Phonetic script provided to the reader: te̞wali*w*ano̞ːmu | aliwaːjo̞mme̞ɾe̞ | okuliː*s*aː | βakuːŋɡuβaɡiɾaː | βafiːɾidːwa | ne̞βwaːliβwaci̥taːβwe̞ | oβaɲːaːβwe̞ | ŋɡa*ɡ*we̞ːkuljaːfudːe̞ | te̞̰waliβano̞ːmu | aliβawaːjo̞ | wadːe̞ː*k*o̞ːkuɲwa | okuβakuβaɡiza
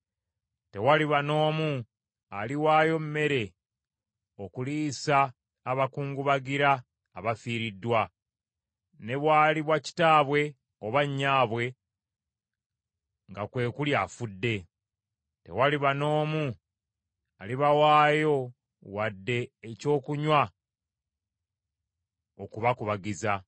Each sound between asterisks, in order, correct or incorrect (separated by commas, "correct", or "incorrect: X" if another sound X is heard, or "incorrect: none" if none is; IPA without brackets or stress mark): incorrect: β, correct, incorrect: k, incorrect: c